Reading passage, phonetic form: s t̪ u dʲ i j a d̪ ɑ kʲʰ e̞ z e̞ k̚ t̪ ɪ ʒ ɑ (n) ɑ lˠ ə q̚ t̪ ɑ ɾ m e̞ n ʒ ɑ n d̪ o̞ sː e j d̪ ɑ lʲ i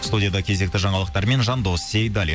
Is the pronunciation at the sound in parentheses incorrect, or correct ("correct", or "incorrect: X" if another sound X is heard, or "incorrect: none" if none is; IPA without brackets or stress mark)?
incorrect: ɴ